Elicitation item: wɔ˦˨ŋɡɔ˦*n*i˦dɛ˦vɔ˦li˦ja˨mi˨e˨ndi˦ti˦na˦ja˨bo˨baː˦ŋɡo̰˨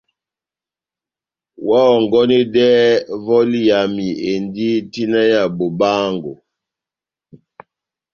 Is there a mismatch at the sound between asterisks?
no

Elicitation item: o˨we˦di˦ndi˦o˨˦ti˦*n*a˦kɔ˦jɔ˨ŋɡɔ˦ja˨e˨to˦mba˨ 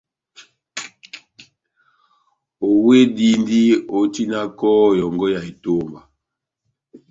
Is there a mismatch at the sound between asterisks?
no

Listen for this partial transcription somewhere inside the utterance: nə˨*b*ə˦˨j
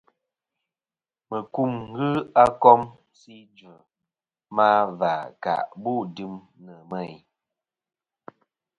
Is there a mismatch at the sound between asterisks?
yes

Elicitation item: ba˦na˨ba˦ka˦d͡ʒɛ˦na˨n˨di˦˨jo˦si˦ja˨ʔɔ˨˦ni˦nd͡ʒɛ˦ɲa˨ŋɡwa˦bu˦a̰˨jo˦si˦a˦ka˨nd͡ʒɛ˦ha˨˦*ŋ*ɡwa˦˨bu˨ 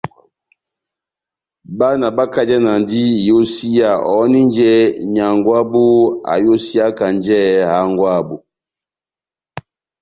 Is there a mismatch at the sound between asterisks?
no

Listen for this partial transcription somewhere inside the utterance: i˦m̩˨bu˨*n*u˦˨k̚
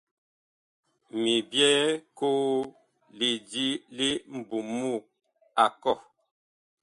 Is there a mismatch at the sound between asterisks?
yes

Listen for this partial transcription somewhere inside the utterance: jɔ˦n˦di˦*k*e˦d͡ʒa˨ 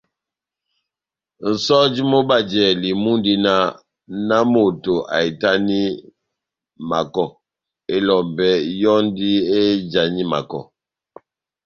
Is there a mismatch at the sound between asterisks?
yes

